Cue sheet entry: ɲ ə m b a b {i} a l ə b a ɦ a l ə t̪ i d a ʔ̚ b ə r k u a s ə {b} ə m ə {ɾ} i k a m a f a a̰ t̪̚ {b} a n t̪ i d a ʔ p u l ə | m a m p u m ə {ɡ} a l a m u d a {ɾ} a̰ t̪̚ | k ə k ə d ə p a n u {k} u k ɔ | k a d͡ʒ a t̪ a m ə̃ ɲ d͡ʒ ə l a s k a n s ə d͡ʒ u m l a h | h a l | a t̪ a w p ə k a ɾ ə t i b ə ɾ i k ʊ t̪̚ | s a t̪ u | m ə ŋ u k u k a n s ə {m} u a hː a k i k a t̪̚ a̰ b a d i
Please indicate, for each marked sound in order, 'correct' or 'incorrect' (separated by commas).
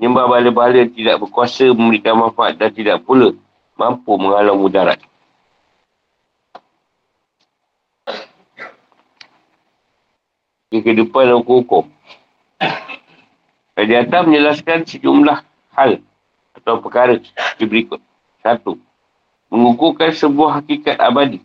incorrect, incorrect, correct, incorrect, incorrect, correct, correct, incorrect